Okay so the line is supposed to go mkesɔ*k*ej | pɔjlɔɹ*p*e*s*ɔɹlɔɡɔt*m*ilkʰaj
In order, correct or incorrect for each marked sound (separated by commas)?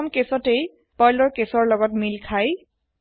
incorrect, incorrect, correct, correct